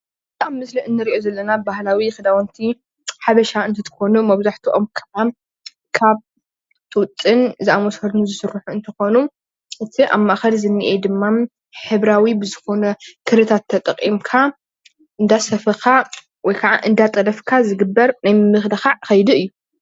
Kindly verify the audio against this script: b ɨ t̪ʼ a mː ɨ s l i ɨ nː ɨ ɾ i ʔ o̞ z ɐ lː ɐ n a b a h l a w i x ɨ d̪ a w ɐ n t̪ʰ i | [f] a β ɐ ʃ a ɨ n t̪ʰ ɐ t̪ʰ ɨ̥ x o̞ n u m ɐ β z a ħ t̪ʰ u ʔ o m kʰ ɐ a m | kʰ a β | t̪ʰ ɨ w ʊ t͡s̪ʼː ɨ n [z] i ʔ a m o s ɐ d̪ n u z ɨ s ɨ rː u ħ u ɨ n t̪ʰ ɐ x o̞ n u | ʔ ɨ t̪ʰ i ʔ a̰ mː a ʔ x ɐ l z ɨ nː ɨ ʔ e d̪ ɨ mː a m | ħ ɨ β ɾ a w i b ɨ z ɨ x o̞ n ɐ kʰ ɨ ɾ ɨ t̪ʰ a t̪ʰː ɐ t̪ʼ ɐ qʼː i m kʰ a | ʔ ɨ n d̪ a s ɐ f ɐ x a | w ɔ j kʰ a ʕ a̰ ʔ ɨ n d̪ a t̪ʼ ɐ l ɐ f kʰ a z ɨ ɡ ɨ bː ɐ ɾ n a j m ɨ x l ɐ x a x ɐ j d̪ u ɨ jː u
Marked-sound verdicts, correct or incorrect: incorrect, correct

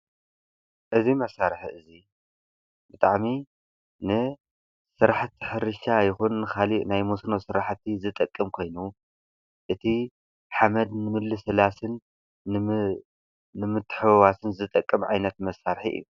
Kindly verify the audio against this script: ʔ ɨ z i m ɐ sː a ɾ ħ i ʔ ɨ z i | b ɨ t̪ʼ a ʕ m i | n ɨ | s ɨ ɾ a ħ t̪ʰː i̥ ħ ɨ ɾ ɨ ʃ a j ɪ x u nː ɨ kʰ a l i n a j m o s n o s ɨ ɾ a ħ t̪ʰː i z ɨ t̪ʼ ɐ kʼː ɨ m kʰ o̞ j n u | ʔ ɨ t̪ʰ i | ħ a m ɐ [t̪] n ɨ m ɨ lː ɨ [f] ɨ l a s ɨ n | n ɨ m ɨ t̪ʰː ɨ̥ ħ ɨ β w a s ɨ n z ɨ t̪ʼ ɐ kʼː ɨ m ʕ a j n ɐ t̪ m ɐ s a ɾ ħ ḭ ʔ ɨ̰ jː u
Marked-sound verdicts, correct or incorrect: incorrect, incorrect

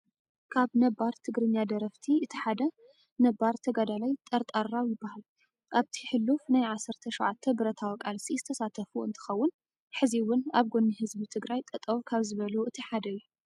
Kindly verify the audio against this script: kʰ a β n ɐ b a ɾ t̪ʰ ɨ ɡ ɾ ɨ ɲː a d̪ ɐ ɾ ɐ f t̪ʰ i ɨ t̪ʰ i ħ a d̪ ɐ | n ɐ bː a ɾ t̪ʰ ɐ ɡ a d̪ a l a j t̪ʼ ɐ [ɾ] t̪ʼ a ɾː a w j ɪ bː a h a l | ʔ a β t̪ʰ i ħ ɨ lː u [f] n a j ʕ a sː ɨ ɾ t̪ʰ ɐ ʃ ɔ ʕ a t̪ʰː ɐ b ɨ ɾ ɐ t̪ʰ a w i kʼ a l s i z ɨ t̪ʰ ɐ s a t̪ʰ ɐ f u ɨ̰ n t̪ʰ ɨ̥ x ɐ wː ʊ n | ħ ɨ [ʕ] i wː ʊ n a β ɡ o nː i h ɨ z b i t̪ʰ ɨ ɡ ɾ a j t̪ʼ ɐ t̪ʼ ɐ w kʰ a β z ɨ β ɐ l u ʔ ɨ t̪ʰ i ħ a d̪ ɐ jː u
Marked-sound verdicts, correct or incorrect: correct, correct, incorrect

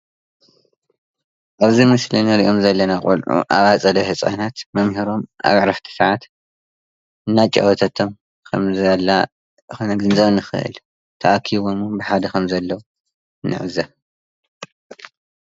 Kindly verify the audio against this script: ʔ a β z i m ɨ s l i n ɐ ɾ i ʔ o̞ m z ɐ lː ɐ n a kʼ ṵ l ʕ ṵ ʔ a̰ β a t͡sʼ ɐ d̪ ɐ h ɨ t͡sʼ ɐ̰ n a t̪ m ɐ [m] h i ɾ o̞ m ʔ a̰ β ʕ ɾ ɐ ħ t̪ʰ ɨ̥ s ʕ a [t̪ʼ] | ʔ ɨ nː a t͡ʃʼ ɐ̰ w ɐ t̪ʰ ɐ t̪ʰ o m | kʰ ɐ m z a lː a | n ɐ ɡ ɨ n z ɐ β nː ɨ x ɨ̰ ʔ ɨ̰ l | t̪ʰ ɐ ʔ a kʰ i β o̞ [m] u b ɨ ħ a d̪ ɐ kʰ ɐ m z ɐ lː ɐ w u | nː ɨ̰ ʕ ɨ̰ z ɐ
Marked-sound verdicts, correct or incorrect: correct, incorrect, correct

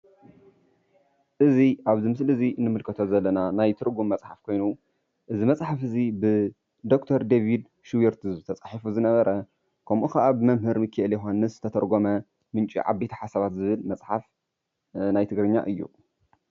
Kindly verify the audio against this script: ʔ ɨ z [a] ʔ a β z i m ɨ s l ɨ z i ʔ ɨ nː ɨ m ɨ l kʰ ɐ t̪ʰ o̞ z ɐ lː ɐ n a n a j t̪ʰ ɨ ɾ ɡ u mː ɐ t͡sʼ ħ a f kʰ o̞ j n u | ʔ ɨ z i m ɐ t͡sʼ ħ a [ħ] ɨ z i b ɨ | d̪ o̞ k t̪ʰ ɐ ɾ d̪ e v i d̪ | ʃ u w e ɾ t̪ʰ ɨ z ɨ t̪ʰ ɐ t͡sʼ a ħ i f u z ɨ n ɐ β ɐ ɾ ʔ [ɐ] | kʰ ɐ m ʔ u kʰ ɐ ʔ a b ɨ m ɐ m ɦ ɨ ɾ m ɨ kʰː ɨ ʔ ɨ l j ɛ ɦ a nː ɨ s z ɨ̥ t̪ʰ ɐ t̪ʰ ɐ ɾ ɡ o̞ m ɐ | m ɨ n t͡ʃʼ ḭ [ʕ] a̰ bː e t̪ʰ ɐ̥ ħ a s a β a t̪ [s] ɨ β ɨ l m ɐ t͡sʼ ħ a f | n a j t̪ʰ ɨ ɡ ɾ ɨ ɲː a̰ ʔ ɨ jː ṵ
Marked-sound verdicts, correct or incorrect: incorrect, incorrect, correct, correct, incorrect

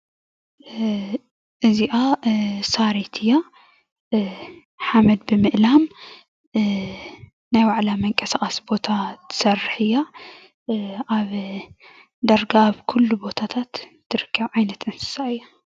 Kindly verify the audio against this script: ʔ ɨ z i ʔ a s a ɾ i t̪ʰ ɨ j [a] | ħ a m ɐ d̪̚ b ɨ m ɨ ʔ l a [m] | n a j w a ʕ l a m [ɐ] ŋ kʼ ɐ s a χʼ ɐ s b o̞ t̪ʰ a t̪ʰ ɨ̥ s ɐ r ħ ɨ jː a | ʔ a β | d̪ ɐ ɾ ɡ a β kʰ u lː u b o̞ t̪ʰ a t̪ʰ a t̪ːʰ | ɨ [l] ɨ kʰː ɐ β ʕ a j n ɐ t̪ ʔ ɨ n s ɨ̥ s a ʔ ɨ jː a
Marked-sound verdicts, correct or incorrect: correct, correct, correct, incorrect

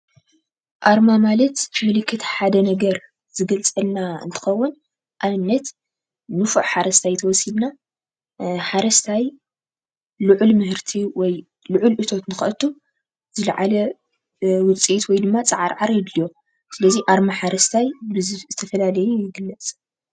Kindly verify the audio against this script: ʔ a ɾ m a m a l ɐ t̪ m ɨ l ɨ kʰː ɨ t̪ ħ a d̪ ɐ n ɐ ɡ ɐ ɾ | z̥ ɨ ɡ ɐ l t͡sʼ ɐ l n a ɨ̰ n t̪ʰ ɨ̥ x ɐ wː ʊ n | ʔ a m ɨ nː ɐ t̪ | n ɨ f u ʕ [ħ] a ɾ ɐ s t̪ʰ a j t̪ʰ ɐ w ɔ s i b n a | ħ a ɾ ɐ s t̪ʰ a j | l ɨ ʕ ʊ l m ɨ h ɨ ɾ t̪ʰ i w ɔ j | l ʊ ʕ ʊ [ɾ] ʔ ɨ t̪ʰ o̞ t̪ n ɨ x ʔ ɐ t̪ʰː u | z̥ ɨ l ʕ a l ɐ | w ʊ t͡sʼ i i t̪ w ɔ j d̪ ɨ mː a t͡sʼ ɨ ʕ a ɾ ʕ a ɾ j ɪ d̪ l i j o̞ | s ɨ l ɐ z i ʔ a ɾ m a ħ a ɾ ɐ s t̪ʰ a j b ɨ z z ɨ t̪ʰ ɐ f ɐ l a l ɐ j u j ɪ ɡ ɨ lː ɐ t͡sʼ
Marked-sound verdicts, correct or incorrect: correct, incorrect

